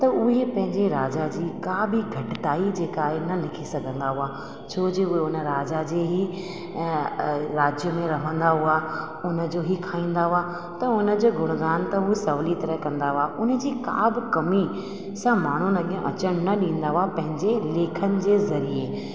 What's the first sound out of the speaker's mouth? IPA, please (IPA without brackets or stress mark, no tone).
t̪